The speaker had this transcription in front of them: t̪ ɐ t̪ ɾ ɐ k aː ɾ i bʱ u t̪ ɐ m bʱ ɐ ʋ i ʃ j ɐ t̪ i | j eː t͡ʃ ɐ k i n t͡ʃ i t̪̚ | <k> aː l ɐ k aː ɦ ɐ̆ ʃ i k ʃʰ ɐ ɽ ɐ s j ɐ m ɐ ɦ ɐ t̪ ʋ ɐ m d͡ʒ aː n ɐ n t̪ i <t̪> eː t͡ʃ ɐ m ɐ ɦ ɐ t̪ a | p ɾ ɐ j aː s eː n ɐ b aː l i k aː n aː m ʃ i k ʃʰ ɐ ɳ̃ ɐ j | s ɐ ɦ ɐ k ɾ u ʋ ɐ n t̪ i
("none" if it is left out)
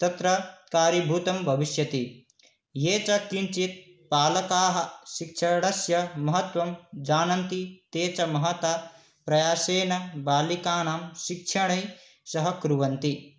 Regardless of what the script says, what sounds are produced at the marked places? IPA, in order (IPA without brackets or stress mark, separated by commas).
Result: p, t̪